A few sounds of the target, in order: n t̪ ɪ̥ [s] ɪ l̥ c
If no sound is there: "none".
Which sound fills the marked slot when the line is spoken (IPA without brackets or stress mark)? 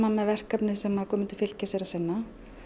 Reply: f